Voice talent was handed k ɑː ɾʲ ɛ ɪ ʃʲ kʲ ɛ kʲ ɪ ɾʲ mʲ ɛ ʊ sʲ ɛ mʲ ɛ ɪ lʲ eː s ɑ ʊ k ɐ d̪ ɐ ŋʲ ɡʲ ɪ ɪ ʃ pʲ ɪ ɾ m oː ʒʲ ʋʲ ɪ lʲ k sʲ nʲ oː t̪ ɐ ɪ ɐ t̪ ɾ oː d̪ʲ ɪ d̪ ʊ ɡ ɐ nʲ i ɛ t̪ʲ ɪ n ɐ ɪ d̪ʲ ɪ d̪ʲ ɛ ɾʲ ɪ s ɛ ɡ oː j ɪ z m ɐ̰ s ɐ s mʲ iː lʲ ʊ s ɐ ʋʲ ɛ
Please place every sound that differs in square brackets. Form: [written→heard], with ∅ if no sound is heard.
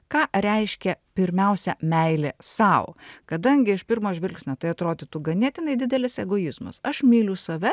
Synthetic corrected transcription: k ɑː ɾʲ ɛ ɪ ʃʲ kʲ ɛ [kʲ→pʲ] ɪ ɾʲ mʲ ɛ ʊ sʲ ɛ mʲ ɛ ɪ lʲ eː s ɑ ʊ k ɐ d̪ ɐ ŋʲ ɡʲ ɪ ɪ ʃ pʲ ɪ ɾ m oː ʒʲ ʋʲ ɪ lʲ k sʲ nʲ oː t̪ ɐ ɪ ɐ t̪ ɾ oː d̪ʲ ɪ [d̪→t̪] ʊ ɡ ɐ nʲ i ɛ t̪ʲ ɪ n ɐ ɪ d̪ʲ ɪ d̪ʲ ɛ [ɾʲ→lʲ] ɪ s ɛ ɡ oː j ɪ z m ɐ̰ s ɐ [s→ʃ] mʲ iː lʲ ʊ s ɐ ʋʲ ɛ